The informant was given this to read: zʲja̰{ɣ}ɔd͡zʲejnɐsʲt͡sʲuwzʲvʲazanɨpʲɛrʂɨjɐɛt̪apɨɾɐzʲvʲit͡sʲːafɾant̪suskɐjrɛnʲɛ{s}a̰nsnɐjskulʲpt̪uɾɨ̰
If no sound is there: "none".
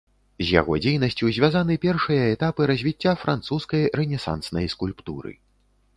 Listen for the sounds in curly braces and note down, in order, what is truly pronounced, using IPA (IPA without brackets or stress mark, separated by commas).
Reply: ɣ, s